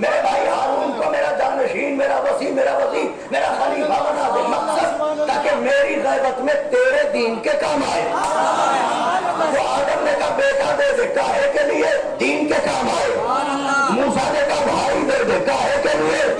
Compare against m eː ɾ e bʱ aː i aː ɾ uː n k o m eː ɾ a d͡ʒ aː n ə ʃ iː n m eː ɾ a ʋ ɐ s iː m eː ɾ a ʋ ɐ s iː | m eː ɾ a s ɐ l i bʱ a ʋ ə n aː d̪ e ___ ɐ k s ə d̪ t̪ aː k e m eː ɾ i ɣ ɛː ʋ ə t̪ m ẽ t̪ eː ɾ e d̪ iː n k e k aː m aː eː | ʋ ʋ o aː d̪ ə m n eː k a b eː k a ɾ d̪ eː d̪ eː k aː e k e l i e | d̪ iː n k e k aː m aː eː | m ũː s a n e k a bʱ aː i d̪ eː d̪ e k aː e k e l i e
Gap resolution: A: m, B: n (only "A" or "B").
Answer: A